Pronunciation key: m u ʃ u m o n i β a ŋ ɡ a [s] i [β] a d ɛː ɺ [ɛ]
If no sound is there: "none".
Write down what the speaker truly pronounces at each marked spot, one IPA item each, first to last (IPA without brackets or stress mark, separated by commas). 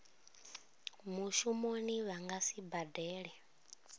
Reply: s, b, ɛ